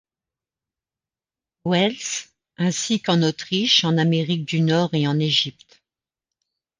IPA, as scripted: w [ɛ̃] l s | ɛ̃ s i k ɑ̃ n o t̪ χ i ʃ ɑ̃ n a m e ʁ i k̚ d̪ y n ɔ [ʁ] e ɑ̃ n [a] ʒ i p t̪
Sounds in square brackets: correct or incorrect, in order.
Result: incorrect, correct, incorrect

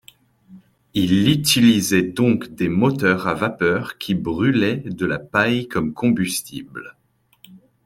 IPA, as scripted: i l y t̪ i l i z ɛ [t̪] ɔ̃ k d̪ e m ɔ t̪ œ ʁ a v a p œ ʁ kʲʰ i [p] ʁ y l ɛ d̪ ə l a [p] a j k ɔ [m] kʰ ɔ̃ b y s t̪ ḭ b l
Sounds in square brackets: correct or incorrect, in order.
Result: incorrect, incorrect, correct, correct

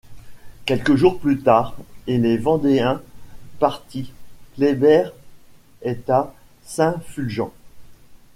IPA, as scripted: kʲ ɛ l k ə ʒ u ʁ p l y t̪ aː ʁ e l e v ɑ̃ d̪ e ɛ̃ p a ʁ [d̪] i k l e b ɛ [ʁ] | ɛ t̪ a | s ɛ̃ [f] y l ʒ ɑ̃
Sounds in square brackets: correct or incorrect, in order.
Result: incorrect, correct, correct

